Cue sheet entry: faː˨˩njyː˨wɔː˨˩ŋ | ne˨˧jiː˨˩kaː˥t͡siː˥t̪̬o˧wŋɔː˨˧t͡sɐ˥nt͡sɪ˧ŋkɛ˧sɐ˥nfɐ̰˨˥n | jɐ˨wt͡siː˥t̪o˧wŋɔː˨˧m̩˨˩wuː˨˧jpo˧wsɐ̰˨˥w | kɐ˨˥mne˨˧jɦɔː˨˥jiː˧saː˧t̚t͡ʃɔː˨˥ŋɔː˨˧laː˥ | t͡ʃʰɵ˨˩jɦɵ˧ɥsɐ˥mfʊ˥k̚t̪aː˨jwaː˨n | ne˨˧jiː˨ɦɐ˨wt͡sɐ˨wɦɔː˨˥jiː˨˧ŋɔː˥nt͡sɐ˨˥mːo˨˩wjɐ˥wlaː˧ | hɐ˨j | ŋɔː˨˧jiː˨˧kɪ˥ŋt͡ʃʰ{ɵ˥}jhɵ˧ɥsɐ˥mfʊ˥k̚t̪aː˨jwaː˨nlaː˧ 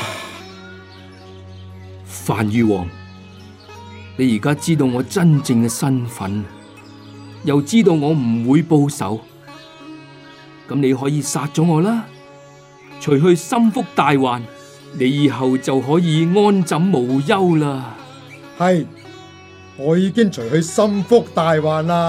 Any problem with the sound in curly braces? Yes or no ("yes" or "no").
yes